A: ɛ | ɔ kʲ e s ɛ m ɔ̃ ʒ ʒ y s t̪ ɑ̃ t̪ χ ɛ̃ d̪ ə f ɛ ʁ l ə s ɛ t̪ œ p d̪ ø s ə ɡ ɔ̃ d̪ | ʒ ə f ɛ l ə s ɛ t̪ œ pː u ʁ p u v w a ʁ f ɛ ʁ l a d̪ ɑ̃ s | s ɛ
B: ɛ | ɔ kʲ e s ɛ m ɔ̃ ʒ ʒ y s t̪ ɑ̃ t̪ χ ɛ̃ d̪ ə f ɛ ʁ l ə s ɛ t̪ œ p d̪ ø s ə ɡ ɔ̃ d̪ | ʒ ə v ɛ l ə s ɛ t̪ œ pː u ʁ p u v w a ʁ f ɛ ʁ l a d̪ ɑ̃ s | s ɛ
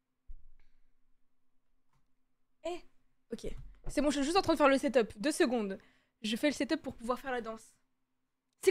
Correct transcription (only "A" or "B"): A